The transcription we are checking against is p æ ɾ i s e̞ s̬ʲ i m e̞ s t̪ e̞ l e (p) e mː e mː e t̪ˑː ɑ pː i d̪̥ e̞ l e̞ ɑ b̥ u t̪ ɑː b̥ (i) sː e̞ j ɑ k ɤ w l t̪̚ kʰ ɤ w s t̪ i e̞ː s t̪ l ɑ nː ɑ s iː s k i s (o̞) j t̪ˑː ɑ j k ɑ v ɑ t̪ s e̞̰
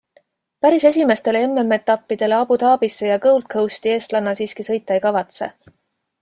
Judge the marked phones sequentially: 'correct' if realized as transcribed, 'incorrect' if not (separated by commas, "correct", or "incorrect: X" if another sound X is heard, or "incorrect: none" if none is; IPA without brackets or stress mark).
incorrect: none, correct, incorrect: ɤ̞